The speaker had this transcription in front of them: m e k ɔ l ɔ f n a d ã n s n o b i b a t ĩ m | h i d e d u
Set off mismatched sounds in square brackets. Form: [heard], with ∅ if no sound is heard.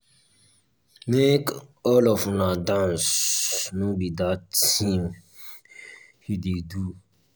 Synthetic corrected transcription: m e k ɔ l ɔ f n a d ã n s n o b i [d] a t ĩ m | h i d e d u

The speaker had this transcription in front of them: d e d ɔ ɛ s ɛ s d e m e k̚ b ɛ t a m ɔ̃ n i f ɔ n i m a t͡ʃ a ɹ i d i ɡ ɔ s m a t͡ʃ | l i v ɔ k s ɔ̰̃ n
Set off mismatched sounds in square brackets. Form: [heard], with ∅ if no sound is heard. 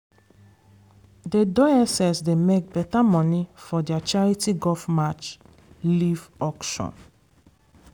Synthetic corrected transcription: d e d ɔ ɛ s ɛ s d e m e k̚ b ɛ t a m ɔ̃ n i f ɔ [d] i [∅] a t͡ʃ a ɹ i [t] i ɡ ɔ [f] m a t͡ʃ | l i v ɔ k [ʃ] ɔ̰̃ n

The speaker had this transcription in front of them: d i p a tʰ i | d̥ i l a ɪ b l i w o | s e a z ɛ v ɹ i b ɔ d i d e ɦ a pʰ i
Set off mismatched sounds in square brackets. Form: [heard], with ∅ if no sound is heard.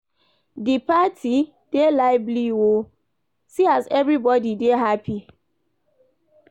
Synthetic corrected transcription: d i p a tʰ i | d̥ [e] l a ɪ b l i w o | s [i] a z ɛ v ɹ i b ɔ d i d e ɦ a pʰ i

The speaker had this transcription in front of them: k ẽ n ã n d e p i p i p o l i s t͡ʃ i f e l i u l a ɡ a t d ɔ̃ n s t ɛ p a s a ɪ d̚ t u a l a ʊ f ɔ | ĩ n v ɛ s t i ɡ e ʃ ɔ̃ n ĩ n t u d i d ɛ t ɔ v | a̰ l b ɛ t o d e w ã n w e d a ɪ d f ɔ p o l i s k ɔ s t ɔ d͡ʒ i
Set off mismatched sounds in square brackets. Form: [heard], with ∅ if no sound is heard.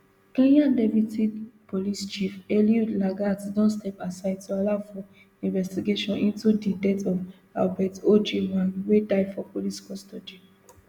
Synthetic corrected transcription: k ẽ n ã n d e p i [t] i p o l i s t͡ʃ i f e l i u l a ɡ a t d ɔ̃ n s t ɛ p a s a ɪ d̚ t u a l a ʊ f ɔ | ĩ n v ɛ s t i ɡ e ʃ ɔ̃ n ĩ n t u d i d ɛ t ɔ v | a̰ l b ɛ t o [d͡ʒ] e w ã n w e d a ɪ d f ɔ p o l i s k ɔ s t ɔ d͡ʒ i

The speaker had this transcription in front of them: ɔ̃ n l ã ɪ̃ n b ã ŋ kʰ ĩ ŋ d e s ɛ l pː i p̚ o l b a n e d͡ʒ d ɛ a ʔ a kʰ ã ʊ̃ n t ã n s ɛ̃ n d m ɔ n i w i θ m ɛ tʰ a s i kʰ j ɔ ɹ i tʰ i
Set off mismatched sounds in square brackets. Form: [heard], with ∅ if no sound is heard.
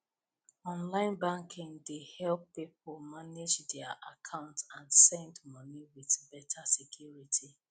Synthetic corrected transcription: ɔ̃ n l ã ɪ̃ n b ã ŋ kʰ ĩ ŋ d e [h] ɛ l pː i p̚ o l [m] a n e d͡ʒ d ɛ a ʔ a kʰ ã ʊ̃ n t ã n s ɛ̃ n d m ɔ n i w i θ [b] ɛ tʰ a s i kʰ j [u] ɹ i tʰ i

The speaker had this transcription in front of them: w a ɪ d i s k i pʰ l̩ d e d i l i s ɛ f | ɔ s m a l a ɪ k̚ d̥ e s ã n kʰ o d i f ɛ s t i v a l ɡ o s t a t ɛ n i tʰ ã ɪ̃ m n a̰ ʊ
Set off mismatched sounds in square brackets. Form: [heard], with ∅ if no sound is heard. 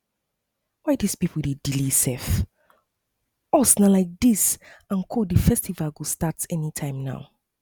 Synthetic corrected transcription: w a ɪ d i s [p] i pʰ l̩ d e d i l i s ɛ f | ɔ s [n] a l a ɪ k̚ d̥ [i] s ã n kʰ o d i f ɛ s t i v a l ɡ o s t a t ɛ n i tʰ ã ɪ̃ m n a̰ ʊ

